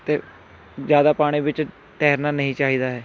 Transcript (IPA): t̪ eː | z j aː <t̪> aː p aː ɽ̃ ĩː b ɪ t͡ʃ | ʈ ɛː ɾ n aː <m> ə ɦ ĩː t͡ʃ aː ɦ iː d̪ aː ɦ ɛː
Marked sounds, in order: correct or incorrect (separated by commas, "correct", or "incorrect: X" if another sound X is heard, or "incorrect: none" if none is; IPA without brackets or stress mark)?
incorrect: d̪, incorrect: n